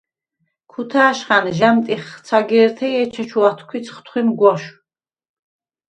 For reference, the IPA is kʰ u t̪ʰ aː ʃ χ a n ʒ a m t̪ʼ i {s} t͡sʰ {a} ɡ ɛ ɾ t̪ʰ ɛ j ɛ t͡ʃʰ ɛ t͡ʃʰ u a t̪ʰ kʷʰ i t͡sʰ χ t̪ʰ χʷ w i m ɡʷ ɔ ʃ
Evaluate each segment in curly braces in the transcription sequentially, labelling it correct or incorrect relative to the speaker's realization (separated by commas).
incorrect, correct